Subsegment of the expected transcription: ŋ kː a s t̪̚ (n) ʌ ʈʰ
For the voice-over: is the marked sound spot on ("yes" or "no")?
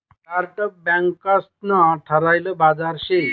yes